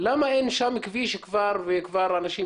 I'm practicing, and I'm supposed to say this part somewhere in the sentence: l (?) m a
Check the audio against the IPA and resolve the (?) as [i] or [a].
a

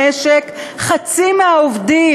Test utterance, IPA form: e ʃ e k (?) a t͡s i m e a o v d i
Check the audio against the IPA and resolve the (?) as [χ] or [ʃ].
χ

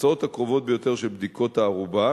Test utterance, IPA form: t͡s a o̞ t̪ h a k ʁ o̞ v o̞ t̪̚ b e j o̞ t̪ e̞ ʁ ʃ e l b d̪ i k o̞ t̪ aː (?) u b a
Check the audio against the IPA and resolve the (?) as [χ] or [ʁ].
ʁ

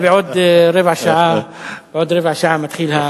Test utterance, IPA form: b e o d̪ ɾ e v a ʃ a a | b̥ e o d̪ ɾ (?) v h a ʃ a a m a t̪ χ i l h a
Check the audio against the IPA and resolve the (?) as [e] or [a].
e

